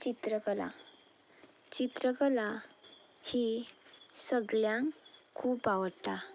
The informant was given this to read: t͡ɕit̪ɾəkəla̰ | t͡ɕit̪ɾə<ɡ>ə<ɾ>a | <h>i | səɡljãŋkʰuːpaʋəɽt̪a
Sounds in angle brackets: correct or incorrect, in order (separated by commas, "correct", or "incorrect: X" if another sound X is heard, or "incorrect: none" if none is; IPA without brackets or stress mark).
incorrect: k, incorrect: l, correct